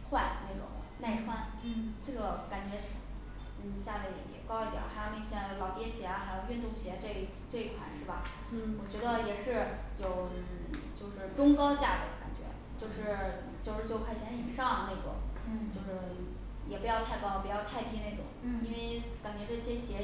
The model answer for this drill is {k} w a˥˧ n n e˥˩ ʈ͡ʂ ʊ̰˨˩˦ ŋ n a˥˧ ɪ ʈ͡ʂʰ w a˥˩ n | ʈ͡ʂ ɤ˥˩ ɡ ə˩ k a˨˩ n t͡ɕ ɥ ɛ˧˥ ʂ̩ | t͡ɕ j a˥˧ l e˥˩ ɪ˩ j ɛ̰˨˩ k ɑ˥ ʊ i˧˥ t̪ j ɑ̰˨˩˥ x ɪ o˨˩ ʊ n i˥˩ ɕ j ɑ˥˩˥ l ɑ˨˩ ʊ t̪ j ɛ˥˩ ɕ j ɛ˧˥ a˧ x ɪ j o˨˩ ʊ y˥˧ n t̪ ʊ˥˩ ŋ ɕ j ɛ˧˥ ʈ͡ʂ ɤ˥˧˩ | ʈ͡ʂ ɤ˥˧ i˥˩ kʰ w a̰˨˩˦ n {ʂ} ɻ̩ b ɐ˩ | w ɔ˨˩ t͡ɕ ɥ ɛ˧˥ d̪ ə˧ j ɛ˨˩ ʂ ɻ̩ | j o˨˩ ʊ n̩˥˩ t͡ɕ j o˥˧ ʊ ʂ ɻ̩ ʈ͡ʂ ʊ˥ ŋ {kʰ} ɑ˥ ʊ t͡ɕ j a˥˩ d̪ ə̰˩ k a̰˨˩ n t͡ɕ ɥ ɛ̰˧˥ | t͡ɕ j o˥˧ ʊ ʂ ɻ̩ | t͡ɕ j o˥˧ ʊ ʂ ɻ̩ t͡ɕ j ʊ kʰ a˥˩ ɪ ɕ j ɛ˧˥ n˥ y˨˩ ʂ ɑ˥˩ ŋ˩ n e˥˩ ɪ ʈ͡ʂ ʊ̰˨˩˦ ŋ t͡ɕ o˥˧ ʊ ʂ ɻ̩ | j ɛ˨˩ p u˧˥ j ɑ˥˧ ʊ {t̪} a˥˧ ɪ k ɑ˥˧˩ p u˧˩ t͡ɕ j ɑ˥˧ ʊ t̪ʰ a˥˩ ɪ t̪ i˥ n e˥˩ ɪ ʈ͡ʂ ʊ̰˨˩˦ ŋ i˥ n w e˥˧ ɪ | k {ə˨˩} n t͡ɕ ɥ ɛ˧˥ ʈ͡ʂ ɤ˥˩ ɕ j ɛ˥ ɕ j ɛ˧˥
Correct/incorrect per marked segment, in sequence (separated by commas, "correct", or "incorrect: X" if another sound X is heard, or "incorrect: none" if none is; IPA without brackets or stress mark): incorrect: x, correct, incorrect: k, incorrect: t̪ʰ, incorrect: a˨˩